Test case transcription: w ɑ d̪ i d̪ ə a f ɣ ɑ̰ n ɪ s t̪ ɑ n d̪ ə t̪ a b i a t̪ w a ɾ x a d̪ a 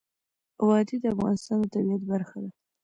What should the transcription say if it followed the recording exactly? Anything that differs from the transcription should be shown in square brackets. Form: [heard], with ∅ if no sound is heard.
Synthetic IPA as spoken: w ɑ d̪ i d̪ ə a f ɣ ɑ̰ n ɪ s t̪ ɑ n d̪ ə t̪ a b i a t̪ [b] a ɾ x a d̪ a